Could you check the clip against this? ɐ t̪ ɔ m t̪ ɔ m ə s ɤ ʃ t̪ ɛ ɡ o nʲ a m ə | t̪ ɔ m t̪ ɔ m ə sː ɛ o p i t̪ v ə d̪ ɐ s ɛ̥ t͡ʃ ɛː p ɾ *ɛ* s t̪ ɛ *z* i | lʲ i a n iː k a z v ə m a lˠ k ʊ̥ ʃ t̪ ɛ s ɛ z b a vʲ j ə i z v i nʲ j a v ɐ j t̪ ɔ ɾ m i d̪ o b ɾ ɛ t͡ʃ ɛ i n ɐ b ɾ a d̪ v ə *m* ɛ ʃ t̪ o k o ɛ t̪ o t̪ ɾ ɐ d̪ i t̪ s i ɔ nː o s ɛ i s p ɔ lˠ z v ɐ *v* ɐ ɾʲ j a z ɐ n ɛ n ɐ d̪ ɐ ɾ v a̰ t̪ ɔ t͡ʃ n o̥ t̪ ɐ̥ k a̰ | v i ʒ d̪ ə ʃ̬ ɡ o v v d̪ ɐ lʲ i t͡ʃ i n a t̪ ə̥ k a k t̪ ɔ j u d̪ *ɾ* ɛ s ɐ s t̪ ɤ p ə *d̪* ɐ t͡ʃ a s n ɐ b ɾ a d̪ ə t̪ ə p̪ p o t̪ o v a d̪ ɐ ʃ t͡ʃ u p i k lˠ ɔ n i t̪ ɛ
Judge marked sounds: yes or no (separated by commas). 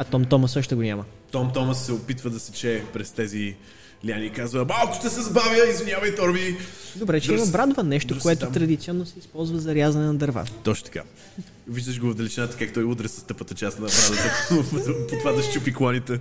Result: yes, yes, no, no, yes, no